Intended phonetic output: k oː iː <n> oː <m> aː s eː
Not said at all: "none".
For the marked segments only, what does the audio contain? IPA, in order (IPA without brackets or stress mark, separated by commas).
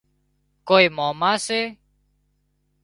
m, m